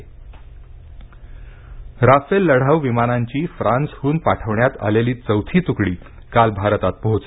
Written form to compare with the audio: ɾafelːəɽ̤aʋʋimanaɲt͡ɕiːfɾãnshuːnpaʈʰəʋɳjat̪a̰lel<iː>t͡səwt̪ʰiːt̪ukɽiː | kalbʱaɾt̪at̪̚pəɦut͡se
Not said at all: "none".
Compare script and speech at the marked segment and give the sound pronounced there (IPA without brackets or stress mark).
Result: iː